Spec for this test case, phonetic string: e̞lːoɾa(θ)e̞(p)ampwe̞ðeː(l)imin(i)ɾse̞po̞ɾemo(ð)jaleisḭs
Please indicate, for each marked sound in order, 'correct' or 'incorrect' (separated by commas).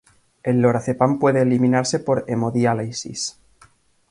correct, correct, correct, incorrect, correct